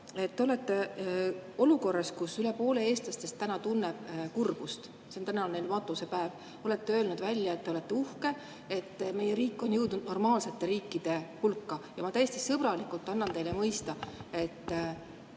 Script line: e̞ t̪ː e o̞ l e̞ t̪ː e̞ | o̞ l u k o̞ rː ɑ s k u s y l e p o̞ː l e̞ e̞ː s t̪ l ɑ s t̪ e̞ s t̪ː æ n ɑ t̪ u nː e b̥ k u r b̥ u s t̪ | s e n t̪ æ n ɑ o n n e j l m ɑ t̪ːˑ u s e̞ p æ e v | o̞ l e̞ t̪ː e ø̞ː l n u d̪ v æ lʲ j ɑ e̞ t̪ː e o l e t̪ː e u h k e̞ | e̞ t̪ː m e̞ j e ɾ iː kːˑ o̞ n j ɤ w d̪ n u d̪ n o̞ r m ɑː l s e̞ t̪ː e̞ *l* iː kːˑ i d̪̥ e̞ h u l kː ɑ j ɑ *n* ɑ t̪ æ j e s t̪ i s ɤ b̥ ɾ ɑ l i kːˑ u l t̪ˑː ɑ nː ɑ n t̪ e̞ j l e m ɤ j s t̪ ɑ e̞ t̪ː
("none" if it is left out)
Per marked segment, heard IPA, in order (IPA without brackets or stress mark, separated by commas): ɾ, m